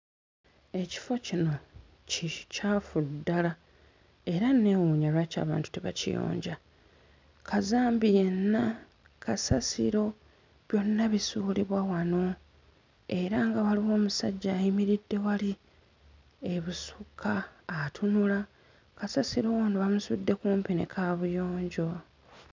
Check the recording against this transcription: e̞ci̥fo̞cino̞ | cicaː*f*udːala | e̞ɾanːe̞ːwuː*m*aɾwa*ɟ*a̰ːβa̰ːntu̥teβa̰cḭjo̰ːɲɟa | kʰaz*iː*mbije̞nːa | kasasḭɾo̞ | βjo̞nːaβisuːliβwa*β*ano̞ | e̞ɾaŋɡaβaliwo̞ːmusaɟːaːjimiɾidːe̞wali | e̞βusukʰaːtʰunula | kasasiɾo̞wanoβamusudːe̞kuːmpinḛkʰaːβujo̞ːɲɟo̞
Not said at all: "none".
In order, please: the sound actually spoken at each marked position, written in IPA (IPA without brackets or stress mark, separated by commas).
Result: f, ɲ, c, aː, w